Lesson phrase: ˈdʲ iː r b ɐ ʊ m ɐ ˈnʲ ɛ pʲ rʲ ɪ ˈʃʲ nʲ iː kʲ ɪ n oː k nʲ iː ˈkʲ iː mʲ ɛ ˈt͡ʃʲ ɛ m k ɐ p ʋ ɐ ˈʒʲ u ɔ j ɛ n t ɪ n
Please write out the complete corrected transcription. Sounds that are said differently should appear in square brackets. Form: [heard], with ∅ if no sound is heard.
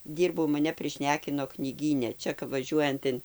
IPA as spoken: ˈdʲ iː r b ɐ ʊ m ɐ ˈnʲ ɛ pʲ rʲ ɪ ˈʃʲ nʲ [æː] kʲ ɪ n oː k nʲ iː [ˈɡʲ] iː [nʲ] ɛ ˈt͡ʃʲ ɛ [∅] k ɐ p ʋ ɐ ˈʒʲ u ɔ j ɛ n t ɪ n